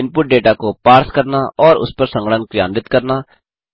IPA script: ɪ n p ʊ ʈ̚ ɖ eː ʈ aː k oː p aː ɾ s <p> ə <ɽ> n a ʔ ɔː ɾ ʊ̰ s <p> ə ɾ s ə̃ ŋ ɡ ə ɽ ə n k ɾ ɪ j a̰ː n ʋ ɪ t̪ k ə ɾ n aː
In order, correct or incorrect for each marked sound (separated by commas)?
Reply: incorrect, incorrect, correct